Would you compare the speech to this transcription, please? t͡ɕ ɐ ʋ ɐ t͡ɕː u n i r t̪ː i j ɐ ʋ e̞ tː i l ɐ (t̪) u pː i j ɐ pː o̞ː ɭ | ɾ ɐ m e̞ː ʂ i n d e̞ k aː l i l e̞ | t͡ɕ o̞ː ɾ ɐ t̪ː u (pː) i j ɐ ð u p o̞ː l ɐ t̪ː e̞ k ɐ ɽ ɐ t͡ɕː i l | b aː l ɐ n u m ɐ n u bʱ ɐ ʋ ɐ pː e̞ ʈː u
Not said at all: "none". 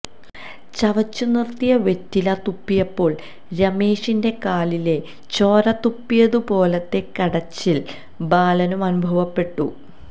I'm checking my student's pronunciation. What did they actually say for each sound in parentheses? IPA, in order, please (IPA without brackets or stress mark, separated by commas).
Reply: t̪, pː